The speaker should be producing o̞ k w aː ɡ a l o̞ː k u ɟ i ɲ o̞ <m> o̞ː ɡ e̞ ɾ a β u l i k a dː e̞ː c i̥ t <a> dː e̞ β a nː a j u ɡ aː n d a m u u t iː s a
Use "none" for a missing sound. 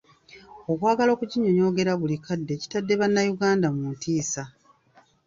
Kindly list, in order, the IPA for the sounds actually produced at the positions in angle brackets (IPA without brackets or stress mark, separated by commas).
ɲ, a